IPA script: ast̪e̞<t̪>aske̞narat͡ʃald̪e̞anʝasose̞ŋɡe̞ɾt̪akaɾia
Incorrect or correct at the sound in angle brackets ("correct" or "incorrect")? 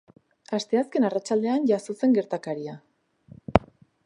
incorrect